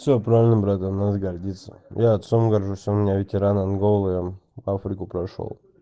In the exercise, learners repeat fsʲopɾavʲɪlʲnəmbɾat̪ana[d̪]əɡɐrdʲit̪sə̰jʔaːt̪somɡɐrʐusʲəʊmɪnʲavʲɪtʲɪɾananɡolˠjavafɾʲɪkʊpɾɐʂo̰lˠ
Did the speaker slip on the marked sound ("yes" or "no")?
no